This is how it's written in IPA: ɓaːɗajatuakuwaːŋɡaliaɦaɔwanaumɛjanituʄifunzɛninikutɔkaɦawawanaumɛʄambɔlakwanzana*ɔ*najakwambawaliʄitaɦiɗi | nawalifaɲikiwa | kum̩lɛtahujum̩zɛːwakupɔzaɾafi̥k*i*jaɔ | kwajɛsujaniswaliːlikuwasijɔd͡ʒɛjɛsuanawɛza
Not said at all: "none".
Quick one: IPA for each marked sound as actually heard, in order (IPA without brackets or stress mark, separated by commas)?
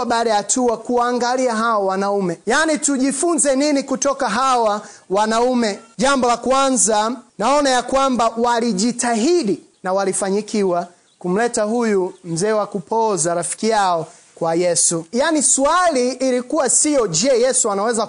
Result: ɔ, i